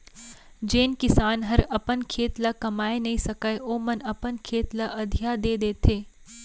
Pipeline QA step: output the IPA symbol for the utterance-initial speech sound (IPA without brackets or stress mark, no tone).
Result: d͡ʒ